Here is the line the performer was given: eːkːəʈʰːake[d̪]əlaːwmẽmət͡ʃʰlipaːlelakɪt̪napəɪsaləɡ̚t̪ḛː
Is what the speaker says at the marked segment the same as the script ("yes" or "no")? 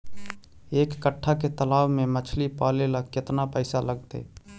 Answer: no